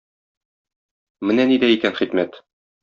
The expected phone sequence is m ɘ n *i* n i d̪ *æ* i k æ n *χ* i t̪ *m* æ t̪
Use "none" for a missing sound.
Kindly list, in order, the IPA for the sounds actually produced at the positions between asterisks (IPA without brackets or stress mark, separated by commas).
æ, æ, χ, m